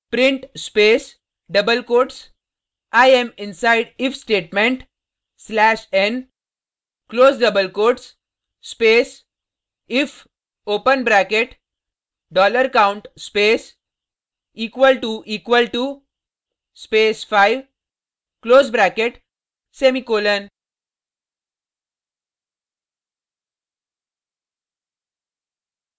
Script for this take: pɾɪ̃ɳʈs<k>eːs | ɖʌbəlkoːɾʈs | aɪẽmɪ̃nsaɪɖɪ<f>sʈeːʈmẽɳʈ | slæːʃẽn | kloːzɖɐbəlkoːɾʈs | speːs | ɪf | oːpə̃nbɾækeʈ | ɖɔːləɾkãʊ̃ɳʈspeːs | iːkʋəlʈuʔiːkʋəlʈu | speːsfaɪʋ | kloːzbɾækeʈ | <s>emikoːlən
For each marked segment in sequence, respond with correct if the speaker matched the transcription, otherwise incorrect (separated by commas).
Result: incorrect, correct, correct